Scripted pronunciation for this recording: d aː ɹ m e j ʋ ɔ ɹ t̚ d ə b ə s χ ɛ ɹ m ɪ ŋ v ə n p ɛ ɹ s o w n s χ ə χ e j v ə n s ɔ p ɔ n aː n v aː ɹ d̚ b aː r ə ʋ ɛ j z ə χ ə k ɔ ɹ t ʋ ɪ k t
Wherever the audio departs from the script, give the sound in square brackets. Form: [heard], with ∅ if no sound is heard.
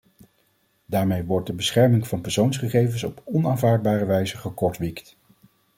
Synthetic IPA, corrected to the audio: d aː ɹ m e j ʋ ɔ ɹ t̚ d ə b ə s χ ɛ ɹ m ɪ ŋ v [ɑ] n p ɛ ɹ s o w n s χ ə χ e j v ə n s ɔ p ɔ n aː n v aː ɹ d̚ b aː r ə ʋ ɛ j z ə χ ə k ɔ ɹ t ʋ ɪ k t